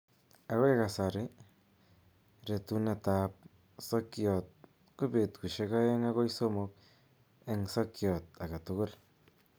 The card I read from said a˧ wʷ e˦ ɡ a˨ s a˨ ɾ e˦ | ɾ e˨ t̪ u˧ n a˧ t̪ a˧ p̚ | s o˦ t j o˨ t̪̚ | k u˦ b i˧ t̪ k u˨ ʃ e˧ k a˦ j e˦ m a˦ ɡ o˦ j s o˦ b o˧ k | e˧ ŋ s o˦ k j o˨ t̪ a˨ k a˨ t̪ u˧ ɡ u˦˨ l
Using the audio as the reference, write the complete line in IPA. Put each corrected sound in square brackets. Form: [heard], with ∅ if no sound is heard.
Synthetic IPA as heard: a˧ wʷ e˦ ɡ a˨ s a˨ ɾ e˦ | ɾ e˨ t̪ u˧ n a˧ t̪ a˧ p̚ | s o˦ [k] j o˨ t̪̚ | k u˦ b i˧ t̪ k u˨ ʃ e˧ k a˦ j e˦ [ŋ] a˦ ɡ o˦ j s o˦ [m] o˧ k | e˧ ŋ s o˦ k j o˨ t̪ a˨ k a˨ t̪ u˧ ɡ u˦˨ l

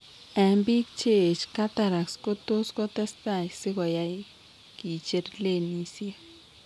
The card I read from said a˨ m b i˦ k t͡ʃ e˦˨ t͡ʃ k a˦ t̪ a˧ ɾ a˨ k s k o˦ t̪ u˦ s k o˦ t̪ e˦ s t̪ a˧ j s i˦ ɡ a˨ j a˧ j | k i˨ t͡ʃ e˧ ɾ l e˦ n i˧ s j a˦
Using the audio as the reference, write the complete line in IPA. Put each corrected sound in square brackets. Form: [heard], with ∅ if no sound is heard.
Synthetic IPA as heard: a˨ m b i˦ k t͡ʃ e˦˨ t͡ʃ k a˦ t̪ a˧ ɾ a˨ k s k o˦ t̪ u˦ s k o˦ t̪ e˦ s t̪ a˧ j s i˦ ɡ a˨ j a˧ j | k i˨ t͡ʃ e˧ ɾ l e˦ n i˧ s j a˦

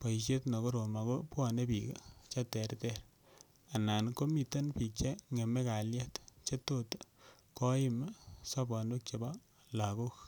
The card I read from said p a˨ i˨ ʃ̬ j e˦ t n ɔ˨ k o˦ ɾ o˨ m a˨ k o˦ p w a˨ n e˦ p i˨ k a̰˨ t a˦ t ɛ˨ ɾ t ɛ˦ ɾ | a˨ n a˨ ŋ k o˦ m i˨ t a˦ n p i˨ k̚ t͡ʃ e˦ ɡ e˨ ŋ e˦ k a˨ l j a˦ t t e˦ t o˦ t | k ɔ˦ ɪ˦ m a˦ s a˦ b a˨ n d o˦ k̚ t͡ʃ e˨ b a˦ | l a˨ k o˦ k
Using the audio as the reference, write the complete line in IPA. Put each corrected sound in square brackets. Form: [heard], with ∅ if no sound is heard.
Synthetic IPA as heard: p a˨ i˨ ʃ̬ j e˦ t n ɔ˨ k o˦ ɾ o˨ m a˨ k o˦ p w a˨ n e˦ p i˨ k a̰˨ [t͡ʃ] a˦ t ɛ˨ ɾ t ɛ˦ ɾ | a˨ n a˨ [n] k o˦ m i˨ t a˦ n p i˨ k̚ t͡ʃ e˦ [ŋ] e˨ [m] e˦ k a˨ l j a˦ t [t͡ʃ] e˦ t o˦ t | k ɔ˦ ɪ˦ m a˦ s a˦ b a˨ n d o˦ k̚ t͡ʃ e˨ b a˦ | l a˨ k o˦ k

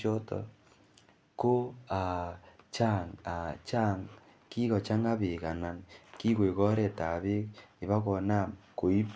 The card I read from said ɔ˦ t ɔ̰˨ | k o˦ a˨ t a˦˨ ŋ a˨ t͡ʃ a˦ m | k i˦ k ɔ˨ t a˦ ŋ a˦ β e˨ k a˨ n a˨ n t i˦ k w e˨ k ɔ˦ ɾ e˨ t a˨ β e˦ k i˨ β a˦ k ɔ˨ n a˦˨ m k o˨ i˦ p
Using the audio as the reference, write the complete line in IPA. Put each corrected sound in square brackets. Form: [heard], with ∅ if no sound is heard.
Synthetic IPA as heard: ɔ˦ t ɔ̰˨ | k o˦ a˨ [t͡ʃ] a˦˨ ŋ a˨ t͡ʃ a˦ [ŋ] | k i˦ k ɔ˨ [t͡ʃ] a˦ ŋ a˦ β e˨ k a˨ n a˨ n [k] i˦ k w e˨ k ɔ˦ ɾ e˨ t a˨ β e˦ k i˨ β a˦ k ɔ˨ n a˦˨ m k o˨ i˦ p

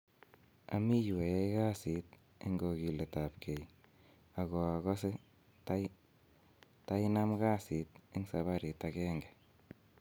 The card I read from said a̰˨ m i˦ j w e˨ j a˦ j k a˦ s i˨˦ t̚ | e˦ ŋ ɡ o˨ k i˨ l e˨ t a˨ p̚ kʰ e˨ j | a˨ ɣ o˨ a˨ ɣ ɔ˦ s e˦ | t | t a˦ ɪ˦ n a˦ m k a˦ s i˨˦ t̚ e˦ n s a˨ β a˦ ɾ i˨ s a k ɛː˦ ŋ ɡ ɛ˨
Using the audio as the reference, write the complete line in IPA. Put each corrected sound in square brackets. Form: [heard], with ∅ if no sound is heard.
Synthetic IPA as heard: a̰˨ m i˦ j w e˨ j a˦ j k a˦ s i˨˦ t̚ | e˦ ŋ ɡ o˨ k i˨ l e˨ t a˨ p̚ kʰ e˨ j | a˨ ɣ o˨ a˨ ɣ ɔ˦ s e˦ | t | t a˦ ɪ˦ n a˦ m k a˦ s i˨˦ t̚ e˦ [ŋ] s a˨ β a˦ ɾ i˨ [t] a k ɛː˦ ŋ ɡ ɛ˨

